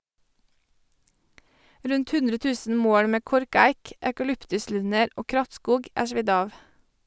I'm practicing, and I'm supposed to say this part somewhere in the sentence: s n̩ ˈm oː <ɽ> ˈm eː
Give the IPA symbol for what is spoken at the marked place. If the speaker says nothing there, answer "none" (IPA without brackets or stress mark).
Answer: ɽ